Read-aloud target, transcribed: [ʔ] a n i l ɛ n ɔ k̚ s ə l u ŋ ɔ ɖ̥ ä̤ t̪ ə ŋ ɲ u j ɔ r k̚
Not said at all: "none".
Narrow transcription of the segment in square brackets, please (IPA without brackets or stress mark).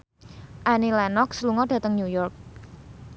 ʔ